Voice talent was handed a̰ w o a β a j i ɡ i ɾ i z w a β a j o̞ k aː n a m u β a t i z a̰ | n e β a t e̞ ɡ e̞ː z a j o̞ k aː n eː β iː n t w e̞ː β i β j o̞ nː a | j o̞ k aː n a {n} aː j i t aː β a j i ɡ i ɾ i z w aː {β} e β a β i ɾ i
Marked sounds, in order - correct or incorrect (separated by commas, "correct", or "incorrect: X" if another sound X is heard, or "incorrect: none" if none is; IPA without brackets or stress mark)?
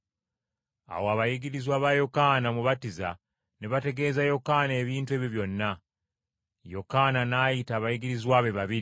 correct, correct